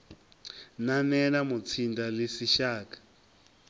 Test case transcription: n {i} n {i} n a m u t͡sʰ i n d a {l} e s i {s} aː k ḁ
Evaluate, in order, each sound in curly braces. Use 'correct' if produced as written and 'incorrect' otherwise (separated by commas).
incorrect, incorrect, correct, incorrect